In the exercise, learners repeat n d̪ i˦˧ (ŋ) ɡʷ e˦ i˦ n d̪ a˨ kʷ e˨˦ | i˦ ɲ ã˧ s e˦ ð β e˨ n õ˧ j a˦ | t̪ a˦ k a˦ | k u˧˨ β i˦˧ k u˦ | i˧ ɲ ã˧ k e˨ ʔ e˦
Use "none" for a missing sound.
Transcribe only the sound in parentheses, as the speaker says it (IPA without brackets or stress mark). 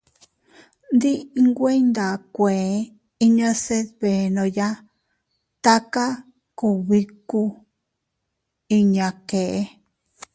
ŋ